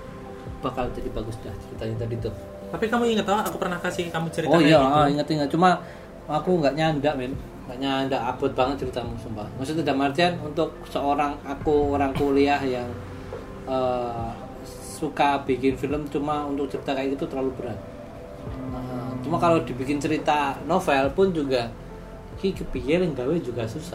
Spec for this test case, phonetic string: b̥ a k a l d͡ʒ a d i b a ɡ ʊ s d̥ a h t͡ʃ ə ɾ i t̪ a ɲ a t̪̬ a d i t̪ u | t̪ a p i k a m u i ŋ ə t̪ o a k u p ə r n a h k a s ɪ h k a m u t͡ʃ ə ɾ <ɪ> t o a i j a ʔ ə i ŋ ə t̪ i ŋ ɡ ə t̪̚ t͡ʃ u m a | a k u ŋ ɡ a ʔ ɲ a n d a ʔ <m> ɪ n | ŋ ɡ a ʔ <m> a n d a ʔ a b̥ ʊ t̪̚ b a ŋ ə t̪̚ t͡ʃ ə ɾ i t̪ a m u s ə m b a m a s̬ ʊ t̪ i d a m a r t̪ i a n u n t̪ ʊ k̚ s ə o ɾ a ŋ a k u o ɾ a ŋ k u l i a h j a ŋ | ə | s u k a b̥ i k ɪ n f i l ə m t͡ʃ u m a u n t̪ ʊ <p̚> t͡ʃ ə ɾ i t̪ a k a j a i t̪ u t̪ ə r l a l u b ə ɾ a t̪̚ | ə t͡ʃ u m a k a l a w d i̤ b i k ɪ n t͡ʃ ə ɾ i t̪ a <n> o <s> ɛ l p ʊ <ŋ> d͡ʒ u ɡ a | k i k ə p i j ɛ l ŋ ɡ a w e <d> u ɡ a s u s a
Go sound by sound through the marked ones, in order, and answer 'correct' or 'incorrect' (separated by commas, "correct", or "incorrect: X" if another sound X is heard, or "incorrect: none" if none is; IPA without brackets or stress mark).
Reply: incorrect: i, correct, incorrect: ɲ, incorrect: k̚, correct, incorrect: f, incorrect: n, incorrect: d͡ʒ